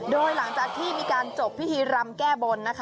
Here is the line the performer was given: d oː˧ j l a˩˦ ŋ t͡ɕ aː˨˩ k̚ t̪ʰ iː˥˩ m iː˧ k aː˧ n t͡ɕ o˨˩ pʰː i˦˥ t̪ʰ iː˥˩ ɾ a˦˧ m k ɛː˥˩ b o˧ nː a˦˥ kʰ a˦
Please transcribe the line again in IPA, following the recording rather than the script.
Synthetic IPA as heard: d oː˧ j l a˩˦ ŋ t͡ɕ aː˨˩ k̚ t̪ʰ iː˥˩ m iː˧ k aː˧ n t͡ɕ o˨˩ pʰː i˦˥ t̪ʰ iː˧ ɾ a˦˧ m k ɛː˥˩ b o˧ nː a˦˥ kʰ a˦